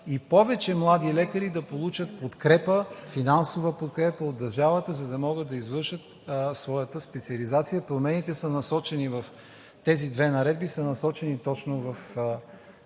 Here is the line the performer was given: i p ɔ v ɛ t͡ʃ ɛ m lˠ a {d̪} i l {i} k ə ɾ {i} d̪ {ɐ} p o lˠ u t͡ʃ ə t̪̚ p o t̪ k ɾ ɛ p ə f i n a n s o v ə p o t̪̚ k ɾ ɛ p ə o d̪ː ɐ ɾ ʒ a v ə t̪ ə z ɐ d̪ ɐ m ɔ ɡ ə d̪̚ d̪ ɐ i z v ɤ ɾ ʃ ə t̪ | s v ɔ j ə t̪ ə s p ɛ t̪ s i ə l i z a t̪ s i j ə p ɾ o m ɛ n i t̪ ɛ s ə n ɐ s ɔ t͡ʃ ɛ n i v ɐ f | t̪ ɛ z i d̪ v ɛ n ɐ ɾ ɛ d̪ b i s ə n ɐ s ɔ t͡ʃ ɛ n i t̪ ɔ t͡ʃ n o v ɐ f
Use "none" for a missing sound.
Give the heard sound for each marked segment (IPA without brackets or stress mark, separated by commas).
d̪, ɛ, i, ɐ